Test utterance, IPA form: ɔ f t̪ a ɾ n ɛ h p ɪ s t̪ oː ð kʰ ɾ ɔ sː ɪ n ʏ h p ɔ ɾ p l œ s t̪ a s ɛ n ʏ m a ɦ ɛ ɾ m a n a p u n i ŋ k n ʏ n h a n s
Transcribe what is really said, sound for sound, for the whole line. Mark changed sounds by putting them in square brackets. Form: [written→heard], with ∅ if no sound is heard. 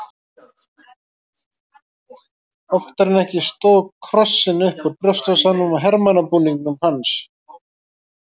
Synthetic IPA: ɔ f t̪ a ɾ n ɛ h [p→c] ɪ s t̪ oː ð kʰ ɾ ɔ sː ɪ n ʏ h p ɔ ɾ p [l→ɾ] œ s t̪ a s [ɛ→a] n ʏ m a ɦ ɛ ɾ m a n a p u n i ŋ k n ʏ [n→m] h a n s